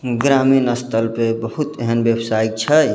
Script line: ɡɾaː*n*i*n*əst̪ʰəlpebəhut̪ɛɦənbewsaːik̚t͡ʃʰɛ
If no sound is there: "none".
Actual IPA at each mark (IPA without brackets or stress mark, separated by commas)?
m, n